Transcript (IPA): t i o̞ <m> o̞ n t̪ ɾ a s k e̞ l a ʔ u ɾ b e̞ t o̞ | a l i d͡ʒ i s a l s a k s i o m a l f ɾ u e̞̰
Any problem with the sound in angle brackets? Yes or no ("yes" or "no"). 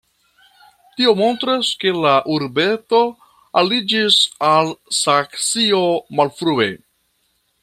no